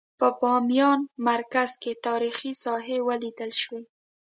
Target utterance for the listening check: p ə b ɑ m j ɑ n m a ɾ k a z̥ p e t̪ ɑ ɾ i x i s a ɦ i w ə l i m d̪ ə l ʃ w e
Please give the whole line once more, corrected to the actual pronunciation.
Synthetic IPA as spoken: p ə b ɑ m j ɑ n m a ɾ k a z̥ k e t̪ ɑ ɾ i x i s ɑ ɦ e w ə l i d̪ ə l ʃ w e